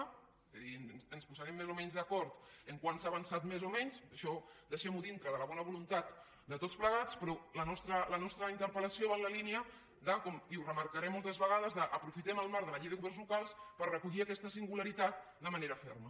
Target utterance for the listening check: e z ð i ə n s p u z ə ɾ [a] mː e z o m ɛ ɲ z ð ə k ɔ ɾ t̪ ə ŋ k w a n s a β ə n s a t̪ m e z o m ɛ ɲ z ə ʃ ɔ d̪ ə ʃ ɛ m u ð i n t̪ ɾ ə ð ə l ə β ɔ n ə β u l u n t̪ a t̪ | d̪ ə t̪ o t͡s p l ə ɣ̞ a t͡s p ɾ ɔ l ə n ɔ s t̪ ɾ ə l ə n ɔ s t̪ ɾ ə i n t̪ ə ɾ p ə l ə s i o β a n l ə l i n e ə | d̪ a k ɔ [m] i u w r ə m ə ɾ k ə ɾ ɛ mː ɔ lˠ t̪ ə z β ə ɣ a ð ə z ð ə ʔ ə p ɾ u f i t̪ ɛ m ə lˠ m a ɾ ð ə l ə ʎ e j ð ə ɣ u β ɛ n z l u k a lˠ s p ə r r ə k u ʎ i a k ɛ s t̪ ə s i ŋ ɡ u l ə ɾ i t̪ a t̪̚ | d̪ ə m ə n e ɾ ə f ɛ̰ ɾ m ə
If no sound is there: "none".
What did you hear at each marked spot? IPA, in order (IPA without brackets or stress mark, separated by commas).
ɛ, m